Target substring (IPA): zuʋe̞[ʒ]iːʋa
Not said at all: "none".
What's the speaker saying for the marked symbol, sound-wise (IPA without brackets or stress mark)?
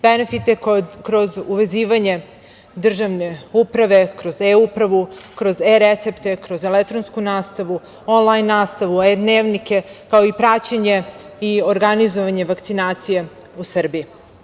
z